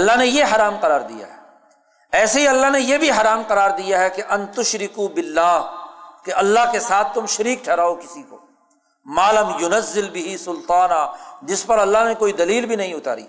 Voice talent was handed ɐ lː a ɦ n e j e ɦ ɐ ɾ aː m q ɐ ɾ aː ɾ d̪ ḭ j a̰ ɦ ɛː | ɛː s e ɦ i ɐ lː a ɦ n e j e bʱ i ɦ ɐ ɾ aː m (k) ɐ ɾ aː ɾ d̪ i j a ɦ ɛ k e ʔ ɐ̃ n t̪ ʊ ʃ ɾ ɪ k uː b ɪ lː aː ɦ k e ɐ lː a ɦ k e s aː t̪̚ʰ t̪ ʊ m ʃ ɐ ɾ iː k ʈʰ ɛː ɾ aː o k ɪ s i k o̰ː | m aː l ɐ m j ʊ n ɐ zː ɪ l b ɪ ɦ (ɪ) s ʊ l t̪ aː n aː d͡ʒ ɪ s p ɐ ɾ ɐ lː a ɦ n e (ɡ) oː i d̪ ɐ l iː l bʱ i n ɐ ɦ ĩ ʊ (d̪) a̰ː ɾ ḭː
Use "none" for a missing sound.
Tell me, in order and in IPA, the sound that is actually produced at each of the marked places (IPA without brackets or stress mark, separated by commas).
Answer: q, i, k, t̪